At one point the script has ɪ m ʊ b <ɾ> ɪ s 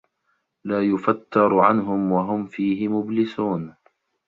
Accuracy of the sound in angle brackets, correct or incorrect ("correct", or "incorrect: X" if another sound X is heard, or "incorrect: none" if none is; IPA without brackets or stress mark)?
incorrect: l